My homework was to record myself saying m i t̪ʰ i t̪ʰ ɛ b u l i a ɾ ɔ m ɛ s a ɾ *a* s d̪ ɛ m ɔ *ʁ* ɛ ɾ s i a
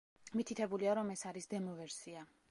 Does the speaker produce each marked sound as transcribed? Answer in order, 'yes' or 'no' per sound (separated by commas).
no, no